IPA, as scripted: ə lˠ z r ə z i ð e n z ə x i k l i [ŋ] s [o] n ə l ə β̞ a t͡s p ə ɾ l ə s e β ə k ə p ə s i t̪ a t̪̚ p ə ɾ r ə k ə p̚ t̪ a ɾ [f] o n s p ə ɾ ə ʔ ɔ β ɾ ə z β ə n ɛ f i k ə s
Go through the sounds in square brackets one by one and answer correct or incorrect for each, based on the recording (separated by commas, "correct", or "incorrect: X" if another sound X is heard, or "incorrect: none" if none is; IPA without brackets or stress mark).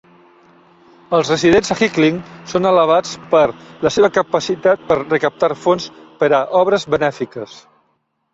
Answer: correct, correct, correct